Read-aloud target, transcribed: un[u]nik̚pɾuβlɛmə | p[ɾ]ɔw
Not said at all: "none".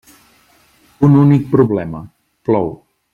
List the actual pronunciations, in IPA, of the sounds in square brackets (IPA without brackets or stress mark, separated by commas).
u, l